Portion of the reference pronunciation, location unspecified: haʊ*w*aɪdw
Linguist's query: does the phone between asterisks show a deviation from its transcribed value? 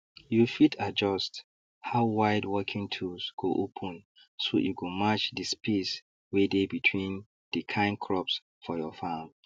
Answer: no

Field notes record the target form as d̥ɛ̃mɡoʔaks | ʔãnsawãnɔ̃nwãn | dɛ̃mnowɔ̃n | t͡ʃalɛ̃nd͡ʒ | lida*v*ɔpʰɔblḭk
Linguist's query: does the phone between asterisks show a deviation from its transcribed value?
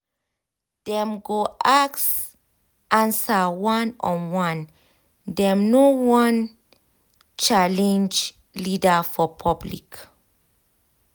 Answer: yes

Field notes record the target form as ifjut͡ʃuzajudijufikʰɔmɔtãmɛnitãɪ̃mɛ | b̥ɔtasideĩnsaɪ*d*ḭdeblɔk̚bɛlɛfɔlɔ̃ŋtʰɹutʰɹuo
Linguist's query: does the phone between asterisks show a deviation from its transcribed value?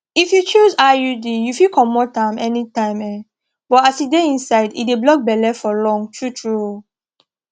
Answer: no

